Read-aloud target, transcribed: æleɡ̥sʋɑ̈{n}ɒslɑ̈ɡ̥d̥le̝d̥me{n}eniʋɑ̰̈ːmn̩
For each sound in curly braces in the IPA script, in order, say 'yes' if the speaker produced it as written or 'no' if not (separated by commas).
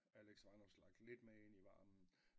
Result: yes, no